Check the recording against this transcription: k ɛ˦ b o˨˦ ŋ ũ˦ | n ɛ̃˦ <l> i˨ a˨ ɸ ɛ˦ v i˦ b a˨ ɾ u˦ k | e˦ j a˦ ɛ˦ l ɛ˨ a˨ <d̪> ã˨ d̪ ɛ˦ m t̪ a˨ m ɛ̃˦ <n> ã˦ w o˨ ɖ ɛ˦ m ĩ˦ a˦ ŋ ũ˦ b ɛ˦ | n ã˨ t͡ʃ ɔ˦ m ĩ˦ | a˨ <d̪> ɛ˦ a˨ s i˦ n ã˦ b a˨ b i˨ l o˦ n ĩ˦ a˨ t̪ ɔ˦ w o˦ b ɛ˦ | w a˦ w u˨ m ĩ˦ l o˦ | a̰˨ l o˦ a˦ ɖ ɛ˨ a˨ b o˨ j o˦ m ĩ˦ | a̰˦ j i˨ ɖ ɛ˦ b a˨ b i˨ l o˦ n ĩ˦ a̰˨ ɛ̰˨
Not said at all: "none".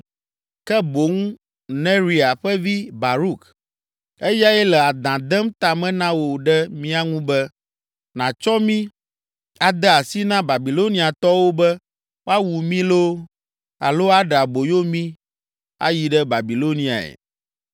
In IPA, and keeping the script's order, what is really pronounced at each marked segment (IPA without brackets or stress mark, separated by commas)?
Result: ɾ, d̪, n, d̪